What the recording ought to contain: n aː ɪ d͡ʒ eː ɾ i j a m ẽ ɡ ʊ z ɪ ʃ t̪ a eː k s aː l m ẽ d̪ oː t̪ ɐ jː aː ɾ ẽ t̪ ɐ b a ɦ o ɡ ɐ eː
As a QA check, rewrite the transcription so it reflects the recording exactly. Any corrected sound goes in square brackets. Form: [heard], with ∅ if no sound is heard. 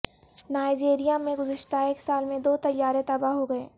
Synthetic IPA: n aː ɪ d͡ʒ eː ɾ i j a m ẽ ɡ ʊ z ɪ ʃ t̪ a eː k s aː l m ẽ d̪ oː t̪ ɐ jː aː ɾ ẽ t̪ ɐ b a ɦ o ɡ ɐ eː